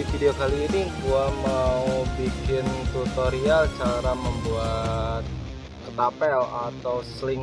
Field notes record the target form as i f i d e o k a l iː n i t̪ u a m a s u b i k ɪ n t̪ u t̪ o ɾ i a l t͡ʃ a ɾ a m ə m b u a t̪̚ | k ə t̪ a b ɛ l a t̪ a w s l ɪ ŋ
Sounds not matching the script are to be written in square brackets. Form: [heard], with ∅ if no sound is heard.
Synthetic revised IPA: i f i d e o k a l iː n i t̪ u a m a [∅] u b i k ɪ n t̪ u t̪ o ɾ i a l t͡ʃ a ɾ a m ə m b u a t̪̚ | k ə t̪ a [p] ɛ l a t̪ a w s l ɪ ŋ